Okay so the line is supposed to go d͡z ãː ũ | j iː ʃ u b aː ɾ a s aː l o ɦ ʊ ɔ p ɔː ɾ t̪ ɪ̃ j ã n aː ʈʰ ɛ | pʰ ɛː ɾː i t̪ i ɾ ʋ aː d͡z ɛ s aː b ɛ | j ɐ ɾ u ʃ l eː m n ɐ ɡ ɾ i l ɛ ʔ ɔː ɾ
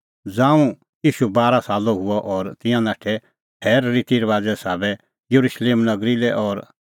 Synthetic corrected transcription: d͡z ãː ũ | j iː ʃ u b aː ɾ a s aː l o ɦ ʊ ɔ ʔ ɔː ɾ t̪ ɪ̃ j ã n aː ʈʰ ɛ | pʰ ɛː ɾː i t̪ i ɾ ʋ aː d͡z ɛ s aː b ɛ | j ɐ ɾ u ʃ l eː m n ɐ ɡ ɾ i l ɛ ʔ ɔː ɾ